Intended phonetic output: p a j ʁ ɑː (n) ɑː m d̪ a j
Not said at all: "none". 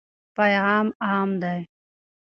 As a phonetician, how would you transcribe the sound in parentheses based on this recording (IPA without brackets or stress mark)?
m